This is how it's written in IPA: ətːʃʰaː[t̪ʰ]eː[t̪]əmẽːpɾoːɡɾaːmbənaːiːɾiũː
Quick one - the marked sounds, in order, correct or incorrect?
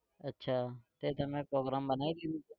incorrect: t̪, correct

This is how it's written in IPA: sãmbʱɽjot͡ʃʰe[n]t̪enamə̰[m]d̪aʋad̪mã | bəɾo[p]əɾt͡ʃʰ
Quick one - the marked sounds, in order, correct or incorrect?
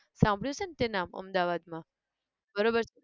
correct, correct, incorrect: b

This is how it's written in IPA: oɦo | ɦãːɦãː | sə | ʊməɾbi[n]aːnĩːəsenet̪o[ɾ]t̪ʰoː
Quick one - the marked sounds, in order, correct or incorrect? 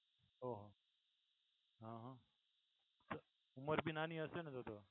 correct, incorrect: none

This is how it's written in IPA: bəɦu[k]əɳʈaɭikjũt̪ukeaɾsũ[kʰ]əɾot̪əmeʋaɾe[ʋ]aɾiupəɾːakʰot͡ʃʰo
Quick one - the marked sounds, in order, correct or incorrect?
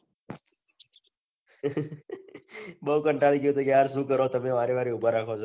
correct, incorrect: k, correct

